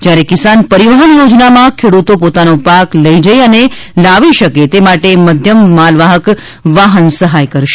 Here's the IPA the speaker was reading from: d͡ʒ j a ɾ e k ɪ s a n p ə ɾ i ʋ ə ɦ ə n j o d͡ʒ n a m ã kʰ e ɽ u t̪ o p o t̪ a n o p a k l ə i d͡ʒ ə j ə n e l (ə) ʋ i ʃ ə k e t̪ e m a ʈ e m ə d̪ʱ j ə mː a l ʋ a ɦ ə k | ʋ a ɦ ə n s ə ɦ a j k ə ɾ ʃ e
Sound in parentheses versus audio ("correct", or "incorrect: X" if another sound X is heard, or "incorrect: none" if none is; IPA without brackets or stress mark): incorrect: a